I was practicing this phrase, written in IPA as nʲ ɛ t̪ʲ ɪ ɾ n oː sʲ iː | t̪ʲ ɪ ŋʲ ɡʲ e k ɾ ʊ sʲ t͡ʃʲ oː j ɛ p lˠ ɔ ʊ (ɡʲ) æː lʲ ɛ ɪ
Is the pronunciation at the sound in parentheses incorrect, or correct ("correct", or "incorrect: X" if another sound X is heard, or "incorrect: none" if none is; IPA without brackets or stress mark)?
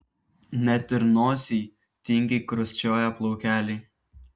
incorrect: kʲ